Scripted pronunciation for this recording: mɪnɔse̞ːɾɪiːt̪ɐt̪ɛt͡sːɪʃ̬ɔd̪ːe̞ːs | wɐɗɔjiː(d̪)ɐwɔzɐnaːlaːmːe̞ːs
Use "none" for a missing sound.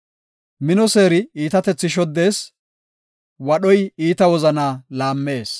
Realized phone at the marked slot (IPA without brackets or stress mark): t̪